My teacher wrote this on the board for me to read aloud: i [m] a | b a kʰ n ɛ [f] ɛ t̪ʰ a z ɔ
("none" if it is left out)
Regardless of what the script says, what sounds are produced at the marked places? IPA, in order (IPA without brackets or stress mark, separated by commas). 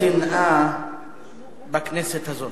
n, s